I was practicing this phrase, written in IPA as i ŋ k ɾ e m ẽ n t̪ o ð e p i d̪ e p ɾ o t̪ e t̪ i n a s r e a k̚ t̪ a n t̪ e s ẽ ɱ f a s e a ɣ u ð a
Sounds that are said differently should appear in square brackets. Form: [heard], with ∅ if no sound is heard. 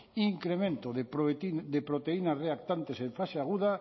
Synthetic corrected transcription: i ŋ k ɾ e m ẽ n t̪ o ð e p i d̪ e p ɾ o t̪ e [∅] i n a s r e a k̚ t̪ a n t̪ e s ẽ ɱ f a s e a ɣ u ð a